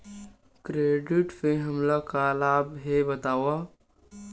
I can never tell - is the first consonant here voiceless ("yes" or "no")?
yes